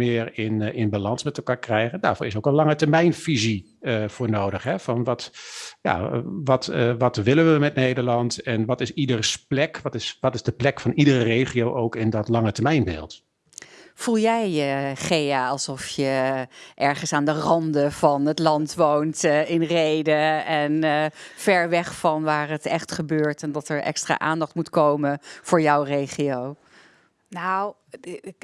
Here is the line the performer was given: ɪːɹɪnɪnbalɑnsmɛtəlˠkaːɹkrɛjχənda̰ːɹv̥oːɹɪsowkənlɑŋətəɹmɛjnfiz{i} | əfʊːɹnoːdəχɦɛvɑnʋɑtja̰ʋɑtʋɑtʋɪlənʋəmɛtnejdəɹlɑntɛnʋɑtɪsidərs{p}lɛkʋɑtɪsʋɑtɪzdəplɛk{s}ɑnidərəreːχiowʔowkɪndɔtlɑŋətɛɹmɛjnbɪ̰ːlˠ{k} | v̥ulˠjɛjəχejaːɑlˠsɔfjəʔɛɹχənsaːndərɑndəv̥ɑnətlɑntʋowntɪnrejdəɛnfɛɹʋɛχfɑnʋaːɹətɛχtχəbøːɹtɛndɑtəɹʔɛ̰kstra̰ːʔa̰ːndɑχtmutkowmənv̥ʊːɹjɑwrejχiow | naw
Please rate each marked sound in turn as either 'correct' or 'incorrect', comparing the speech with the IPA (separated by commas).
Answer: correct, correct, incorrect, incorrect